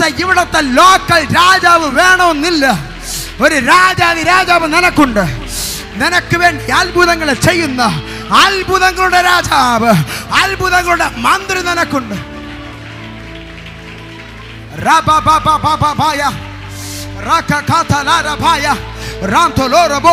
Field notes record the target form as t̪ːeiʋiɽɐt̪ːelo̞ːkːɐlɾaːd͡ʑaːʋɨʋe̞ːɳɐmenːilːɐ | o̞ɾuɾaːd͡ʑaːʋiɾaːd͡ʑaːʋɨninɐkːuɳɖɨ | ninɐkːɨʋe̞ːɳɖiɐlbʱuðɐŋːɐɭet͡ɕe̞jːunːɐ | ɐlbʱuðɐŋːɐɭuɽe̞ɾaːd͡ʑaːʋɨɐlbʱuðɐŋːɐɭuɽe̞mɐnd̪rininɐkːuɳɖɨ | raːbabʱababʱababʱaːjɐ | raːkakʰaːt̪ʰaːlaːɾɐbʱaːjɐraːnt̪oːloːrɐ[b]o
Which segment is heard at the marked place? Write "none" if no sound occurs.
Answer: b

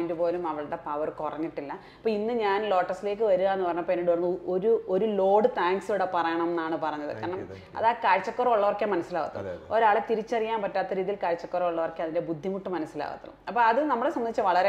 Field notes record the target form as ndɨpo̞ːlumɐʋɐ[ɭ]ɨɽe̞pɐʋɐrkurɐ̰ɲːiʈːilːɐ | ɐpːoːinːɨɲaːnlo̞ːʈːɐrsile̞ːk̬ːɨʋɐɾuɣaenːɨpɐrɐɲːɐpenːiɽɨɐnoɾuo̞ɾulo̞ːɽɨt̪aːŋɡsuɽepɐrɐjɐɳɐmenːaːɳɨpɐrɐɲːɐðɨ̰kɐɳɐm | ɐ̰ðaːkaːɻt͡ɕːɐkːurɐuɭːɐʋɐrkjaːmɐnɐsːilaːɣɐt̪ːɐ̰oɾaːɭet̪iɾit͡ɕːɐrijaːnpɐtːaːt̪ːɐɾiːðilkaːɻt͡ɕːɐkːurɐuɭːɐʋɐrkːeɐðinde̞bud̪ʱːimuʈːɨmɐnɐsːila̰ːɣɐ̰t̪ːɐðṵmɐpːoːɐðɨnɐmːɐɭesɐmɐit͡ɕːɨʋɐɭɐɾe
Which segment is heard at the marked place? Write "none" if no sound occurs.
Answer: ɭ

